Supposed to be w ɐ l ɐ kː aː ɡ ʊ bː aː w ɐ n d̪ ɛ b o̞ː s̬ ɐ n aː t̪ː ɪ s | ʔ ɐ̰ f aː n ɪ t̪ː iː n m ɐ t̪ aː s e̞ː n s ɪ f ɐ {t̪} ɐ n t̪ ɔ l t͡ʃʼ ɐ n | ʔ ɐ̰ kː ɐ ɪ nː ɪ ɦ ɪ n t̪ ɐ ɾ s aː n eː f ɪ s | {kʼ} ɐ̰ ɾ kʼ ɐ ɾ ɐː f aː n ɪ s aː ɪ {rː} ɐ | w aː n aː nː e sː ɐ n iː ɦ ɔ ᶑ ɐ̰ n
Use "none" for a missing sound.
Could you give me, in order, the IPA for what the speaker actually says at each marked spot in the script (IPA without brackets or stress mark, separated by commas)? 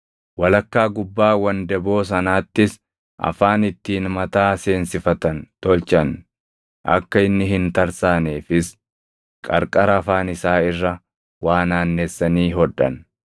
t̪, kʼ, rː